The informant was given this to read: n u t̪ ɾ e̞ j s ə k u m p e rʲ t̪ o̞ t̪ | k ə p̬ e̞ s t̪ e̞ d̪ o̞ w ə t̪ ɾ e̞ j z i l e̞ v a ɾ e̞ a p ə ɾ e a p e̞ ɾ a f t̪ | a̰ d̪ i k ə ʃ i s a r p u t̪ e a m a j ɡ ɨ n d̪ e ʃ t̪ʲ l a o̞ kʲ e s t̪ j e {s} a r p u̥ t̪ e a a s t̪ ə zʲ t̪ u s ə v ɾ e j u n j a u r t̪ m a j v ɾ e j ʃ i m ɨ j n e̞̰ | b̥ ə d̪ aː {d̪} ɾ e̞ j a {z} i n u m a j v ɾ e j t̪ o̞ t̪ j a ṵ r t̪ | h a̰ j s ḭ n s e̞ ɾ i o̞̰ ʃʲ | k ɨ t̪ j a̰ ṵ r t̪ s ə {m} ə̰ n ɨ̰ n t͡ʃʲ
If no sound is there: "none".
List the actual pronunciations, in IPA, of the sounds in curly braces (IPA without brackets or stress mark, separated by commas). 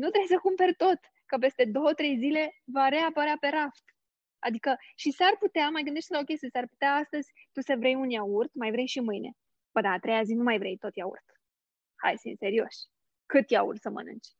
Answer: s, t̪, z, m